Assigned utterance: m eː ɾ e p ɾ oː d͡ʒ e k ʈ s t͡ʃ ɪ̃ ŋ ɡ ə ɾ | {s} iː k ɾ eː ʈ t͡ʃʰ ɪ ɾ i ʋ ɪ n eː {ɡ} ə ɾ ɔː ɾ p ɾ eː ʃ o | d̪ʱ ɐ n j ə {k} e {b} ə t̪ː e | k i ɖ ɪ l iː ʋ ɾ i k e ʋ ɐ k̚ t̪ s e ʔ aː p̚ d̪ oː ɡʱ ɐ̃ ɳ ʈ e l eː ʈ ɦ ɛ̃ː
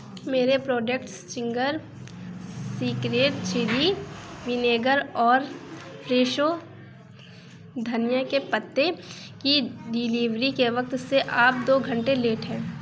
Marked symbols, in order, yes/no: yes, yes, yes, no

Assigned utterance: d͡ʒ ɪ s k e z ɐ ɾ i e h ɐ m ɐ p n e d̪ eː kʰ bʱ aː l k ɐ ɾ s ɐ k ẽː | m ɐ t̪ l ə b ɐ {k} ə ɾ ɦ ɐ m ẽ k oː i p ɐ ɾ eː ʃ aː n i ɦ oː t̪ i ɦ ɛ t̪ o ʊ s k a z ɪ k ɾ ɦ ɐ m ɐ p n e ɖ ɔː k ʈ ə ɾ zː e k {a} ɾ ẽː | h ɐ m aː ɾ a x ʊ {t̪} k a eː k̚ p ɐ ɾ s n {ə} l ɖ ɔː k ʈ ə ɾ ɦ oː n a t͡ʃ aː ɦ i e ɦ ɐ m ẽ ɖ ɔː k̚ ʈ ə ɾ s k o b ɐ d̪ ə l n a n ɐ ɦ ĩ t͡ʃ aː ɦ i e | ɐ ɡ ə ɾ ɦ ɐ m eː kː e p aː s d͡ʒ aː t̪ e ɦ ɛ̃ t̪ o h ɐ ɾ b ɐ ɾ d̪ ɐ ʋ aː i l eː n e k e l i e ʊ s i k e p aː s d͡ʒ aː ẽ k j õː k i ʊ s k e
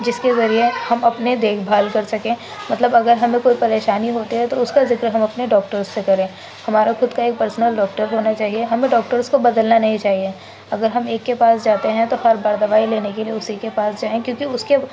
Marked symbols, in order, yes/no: no, no, no, yes

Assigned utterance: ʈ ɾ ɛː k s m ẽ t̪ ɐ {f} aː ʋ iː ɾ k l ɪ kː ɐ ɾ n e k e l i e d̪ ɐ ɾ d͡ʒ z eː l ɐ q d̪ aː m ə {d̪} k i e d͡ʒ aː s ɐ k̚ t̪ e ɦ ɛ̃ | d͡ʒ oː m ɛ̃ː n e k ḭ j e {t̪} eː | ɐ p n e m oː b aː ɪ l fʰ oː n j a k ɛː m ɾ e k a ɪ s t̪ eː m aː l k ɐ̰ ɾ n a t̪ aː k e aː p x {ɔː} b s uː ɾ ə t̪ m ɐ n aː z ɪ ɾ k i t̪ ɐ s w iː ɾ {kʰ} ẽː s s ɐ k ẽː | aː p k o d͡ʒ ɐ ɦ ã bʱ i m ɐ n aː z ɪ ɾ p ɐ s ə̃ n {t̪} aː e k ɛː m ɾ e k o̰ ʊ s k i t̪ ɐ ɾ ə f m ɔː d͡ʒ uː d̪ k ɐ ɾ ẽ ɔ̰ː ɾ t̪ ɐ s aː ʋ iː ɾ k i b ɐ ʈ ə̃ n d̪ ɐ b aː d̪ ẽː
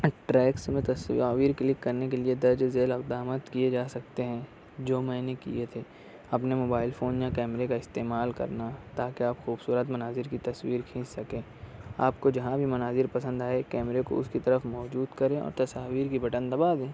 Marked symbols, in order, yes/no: no, no, no, no, yes, no

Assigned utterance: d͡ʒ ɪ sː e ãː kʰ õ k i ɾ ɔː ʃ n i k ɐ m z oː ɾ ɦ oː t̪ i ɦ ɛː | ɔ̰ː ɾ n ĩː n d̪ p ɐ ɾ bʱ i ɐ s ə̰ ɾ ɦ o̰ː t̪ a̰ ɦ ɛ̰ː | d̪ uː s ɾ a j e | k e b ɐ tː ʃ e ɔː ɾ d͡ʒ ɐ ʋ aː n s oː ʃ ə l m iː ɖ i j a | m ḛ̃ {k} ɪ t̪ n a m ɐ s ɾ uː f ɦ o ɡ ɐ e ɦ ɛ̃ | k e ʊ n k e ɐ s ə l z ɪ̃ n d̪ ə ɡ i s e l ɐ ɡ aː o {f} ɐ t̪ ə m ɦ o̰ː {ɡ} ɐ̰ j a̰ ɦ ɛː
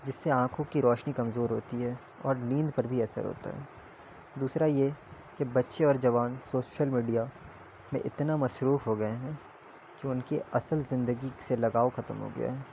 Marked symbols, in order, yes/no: no, no, yes

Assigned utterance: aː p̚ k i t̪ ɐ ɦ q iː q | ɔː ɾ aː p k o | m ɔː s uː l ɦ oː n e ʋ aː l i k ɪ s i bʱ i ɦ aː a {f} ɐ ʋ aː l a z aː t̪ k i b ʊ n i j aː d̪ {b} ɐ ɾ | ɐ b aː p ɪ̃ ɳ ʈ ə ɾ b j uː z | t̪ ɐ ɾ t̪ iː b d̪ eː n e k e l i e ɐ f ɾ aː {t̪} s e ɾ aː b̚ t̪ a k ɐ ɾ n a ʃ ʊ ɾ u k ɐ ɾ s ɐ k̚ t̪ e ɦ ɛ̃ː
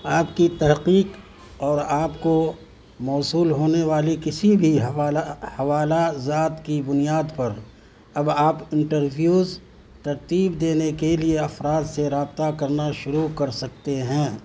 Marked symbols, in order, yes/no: no, no, no

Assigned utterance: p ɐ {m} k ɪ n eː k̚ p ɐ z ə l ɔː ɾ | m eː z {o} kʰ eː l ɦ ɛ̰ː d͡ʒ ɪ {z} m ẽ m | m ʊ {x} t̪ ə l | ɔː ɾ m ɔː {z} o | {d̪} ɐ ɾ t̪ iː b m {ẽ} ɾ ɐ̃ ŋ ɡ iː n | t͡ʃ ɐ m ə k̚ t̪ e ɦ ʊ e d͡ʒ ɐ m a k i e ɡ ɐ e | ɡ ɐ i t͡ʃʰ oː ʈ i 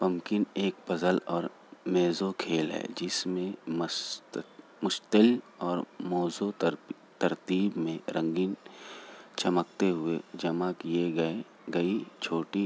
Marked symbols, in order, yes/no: yes, yes, no, no, yes, no, yes

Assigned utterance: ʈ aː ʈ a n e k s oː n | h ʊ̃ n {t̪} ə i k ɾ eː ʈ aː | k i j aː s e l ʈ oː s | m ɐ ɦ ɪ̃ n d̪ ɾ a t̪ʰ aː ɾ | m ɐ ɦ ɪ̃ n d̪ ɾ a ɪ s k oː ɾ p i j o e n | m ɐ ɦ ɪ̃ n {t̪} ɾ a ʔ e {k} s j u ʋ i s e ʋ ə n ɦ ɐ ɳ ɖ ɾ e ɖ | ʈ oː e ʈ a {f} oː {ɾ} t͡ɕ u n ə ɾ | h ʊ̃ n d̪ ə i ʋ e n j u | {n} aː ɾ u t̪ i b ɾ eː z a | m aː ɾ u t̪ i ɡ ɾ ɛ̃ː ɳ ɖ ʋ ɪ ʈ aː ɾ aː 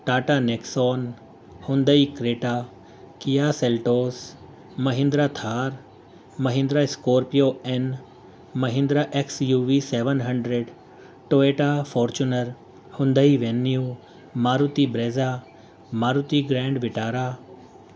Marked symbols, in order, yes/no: no, no, yes, yes, yes, no

